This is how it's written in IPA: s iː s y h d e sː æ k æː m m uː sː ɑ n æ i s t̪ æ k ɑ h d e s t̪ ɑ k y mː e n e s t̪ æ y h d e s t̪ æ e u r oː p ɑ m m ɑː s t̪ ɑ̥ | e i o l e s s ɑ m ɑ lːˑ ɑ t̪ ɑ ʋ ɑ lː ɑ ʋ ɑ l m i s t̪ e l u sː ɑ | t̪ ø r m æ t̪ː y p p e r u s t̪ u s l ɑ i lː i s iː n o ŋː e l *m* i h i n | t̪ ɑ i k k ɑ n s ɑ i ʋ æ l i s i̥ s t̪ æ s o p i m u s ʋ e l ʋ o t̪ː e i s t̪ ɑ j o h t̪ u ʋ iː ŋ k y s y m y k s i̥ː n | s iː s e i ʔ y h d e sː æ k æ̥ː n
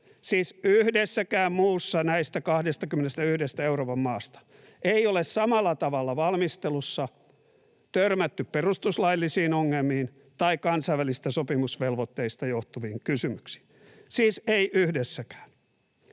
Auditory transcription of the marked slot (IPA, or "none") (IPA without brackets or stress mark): m